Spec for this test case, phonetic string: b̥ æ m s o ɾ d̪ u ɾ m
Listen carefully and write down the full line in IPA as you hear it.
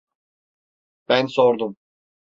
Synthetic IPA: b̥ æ n s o ɾ d̪ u m